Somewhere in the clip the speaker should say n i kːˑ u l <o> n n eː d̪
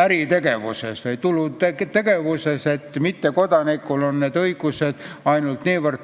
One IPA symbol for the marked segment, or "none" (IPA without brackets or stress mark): o